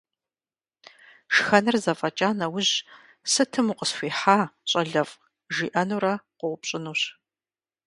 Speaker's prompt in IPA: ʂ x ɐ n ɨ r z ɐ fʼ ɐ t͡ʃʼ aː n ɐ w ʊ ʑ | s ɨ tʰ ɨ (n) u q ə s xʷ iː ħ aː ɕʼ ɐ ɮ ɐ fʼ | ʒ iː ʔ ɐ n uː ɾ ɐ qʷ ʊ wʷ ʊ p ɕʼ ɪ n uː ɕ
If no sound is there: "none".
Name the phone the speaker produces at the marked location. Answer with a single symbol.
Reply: m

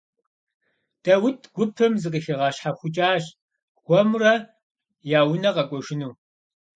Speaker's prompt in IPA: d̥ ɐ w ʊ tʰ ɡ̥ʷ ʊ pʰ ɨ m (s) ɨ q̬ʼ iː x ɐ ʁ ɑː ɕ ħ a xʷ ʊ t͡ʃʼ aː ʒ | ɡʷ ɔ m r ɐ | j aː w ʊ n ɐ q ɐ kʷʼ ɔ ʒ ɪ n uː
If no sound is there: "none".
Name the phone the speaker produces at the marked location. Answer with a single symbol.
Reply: z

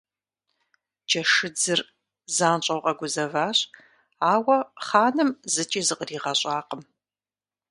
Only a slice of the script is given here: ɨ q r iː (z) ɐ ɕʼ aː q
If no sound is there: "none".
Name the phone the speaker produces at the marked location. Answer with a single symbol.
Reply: ʁ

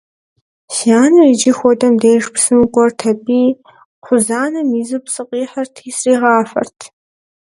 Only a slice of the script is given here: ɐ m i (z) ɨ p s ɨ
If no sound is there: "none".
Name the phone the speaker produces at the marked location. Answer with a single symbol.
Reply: z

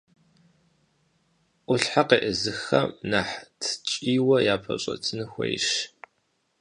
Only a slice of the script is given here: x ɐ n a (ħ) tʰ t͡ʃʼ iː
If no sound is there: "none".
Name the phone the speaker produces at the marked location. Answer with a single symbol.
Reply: ħ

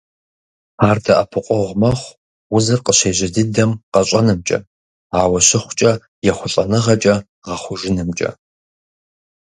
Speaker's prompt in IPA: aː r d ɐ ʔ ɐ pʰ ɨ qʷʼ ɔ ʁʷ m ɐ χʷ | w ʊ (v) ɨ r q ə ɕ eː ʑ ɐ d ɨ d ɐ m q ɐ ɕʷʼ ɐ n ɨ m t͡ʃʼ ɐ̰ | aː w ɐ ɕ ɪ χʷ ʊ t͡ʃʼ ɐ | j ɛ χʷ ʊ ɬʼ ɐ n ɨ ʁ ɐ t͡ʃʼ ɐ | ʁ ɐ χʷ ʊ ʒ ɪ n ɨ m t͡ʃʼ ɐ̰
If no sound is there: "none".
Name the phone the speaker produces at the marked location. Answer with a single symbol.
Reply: z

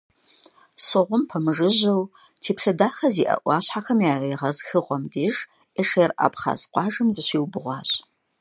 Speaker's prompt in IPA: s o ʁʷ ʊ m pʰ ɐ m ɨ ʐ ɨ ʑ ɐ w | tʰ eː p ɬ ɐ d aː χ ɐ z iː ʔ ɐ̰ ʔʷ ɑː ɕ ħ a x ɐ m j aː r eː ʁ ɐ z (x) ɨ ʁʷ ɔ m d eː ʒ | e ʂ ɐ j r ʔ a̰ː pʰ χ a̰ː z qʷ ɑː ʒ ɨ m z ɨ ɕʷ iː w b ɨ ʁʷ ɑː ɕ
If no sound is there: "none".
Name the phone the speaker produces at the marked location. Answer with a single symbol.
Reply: x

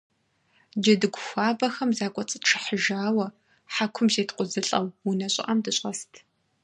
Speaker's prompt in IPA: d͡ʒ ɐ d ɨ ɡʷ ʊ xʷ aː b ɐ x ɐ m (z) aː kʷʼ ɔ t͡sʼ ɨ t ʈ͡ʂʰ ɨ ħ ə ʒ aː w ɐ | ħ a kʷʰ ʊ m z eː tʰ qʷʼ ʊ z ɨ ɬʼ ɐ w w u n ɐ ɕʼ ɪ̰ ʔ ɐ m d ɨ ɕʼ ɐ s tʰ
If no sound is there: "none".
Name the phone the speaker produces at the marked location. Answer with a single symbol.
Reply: z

